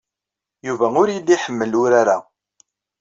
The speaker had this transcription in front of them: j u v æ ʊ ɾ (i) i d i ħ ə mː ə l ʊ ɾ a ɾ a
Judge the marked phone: incorrect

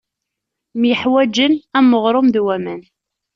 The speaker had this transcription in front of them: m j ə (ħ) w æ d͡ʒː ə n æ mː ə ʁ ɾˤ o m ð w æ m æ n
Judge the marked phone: correct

